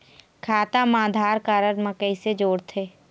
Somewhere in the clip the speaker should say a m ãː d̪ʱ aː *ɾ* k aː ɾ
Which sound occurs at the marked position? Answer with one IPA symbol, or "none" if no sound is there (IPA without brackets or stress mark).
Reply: ɾ